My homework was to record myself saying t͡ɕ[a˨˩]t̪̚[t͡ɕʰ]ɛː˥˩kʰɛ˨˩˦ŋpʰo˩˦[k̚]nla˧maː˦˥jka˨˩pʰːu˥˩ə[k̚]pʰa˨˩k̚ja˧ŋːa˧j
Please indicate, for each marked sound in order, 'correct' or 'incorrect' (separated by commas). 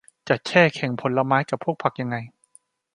correct, correct, incorrect, correct